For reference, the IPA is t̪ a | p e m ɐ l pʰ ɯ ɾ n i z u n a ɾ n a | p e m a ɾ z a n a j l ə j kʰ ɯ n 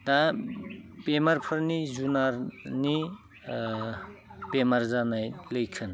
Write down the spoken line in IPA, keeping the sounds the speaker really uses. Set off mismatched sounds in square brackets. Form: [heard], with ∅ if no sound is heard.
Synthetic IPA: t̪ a | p e m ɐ [ɾ] pʰ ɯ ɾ n i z u n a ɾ n [i] | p e m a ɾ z a n a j l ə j kʰ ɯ n